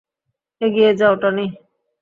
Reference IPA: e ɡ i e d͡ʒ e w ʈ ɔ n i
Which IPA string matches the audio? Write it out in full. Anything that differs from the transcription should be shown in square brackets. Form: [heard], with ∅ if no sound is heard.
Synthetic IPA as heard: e ɡ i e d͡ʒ [a] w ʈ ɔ n i